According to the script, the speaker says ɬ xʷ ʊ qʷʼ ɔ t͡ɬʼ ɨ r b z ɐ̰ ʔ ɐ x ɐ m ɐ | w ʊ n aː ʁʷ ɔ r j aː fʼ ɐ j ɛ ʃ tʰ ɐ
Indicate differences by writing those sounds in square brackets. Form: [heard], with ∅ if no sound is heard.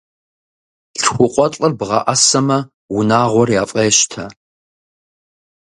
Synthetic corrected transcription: ɬ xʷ ʊ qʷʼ ɔ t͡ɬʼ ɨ r b [ʁ] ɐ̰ ʔ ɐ [s] ɐ m ɐ | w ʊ n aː ʁʷ ɔ r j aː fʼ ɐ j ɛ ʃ tʰ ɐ